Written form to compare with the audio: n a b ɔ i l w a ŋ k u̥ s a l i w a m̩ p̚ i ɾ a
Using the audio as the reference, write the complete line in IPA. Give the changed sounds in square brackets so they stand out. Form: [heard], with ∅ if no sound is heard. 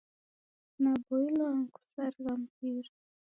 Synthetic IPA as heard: n a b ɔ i l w a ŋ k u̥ s a [ɾ] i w a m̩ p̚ i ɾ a